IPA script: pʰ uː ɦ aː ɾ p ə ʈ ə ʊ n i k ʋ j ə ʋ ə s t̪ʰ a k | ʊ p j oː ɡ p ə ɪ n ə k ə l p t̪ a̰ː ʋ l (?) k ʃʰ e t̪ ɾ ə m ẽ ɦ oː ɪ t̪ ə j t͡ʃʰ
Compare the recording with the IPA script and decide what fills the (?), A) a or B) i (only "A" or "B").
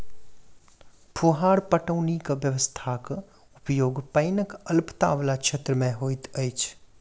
A